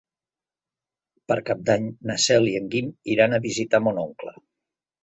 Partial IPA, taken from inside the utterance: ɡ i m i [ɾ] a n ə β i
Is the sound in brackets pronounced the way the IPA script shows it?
yes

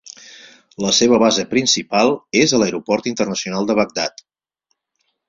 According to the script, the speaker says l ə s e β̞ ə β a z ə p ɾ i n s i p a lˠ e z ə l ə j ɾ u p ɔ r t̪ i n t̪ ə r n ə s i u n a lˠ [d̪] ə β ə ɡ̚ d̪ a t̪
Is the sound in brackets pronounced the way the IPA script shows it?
yes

